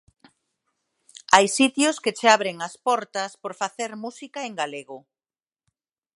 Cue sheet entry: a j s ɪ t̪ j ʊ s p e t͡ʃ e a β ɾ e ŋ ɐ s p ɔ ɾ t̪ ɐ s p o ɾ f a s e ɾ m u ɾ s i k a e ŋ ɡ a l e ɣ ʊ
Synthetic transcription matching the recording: a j s i t̪ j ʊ s k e t͡ʃ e a β ɾ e ŋ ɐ s p ɔ ɾ t̪ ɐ s p o ɾ f a θ e ɾ m u s i k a e ŋ ɡ a l e ɣ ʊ